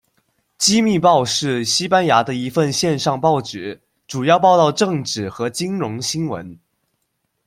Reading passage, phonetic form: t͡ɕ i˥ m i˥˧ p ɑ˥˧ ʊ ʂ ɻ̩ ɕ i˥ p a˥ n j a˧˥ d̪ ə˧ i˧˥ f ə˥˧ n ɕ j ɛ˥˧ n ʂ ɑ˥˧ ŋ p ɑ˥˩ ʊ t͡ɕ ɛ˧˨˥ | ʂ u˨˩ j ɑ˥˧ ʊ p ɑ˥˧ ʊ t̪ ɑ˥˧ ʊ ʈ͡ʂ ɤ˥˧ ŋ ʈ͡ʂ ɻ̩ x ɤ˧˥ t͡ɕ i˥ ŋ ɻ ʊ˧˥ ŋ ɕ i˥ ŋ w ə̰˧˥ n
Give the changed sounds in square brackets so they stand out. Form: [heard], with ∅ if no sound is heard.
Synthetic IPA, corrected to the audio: t͡ɕ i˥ m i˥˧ p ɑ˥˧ ʊ ʂ ɻ̩ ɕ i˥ p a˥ n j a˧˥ d̪ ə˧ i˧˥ f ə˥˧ n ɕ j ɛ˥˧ n ʂ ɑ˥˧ ŋ p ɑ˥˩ ʊ t͡ɕ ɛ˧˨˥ | [ʈ͡ʂ] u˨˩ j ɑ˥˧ ʊ p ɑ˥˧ ʊ t̪ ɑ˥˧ ʊ ʈ͡ʂ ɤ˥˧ ŋ ʈ͡ʂ ɻ̩ x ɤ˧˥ t͡ɕ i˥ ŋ ɻ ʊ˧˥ ŋ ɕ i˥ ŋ w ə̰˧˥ n